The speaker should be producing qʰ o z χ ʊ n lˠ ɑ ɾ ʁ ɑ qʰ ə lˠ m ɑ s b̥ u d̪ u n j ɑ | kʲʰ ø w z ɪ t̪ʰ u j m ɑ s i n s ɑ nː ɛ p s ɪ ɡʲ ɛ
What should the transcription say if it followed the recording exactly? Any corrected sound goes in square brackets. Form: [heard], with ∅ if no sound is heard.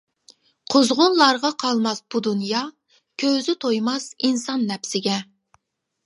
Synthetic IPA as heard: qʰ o z [ʁ] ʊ n lˠ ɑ ɾ ʁ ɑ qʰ [ɑ] lˠ m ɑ s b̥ u d̪ u n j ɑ | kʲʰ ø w z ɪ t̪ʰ [o] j m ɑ s i n s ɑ nː ɛ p s ɪ ɡʲ ɛ